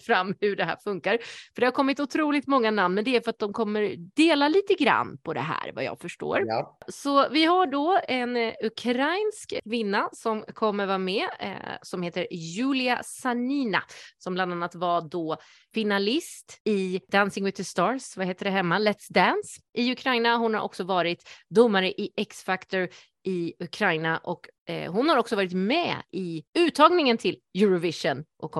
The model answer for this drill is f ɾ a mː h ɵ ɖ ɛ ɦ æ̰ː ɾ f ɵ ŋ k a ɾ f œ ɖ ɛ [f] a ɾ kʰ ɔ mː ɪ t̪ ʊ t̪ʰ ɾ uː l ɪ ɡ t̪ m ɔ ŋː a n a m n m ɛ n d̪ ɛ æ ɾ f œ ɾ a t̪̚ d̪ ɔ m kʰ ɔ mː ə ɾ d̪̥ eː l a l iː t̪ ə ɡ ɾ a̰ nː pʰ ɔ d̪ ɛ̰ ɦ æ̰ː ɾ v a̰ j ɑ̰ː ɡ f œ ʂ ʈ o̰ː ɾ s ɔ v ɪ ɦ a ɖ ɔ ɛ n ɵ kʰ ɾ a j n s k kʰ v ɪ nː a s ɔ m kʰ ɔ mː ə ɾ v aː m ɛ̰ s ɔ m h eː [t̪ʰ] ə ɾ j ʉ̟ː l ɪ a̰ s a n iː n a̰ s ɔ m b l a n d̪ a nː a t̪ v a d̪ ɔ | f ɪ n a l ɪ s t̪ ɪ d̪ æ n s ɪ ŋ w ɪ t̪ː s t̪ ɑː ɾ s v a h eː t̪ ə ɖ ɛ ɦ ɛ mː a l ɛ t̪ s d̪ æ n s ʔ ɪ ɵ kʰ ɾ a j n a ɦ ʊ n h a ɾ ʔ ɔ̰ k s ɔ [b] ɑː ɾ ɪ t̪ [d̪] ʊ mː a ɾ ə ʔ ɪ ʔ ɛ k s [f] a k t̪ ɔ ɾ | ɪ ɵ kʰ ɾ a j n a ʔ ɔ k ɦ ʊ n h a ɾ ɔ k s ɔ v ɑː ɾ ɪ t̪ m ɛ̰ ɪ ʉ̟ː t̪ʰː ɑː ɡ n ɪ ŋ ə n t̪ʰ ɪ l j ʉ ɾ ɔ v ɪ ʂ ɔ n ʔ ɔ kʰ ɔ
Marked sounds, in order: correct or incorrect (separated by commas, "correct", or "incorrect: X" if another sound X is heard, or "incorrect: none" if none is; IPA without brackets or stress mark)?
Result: incorrect: h, incorrect: t̪, incorrect: v, correct, correct